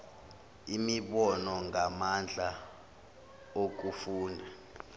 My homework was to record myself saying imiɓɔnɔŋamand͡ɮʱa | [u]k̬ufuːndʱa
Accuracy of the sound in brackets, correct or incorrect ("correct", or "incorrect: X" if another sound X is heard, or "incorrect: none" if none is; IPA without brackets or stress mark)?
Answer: incorrect: o